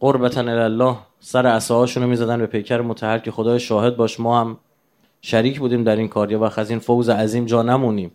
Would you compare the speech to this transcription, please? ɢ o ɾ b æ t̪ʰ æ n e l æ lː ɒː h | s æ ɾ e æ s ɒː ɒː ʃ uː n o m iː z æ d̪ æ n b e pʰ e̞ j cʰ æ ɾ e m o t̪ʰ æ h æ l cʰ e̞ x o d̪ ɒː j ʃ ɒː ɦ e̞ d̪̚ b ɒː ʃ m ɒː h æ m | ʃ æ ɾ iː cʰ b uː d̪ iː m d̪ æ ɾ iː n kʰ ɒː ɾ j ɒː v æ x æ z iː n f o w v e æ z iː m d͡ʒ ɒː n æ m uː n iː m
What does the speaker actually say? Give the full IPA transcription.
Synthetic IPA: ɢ o ɾ b æ t̪ʰ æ n e l æ lː ɒː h | s æ ɾ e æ s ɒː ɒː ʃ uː n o m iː z æ d̪ æ n b e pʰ e̞ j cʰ æ ɾ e m o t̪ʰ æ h æ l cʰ e̞ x o d̪ ɒː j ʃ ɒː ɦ e̞ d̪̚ b ɒː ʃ m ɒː h æ m | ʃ æ ɾ iː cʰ b uː d̪ iː m d̪ æ ɾ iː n kʰ ɒː ɾ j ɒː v æ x æ z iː n f o w z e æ z iː m d͡ʒ ɒː n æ m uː n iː m